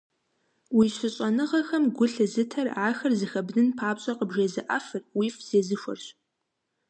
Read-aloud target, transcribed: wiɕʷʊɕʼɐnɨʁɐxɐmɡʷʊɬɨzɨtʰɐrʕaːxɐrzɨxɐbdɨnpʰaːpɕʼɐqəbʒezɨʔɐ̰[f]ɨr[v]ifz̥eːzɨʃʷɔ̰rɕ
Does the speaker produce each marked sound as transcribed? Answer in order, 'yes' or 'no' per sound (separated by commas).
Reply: yes, no